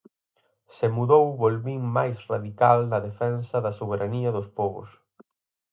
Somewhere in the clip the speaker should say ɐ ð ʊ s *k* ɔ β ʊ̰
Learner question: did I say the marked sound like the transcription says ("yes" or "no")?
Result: no